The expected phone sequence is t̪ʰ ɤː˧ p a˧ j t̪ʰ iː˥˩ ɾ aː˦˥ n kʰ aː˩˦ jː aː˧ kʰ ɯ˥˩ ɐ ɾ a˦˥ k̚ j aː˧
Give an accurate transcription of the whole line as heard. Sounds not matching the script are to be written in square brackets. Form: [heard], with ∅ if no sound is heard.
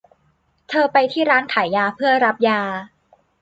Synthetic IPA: t̪ʰ ɤː˧ p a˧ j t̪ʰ iː˥˩ ɾ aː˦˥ n kʰ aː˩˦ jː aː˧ [pʰ] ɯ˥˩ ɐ ɾ a˦˥ [p̚] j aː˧